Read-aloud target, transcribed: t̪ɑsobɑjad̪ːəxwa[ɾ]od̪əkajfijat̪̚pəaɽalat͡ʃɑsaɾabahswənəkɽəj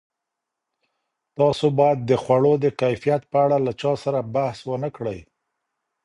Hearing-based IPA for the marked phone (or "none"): ɽ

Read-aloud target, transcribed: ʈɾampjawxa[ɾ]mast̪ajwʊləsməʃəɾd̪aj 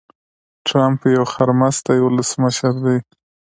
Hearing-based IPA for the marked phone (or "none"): ɾ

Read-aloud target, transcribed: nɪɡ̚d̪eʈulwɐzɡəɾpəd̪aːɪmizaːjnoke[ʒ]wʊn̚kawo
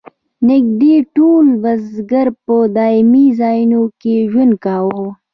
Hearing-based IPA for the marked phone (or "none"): ʒ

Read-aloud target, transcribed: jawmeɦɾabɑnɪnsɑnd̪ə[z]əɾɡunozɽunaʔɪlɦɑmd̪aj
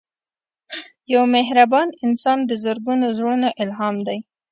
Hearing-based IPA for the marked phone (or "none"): z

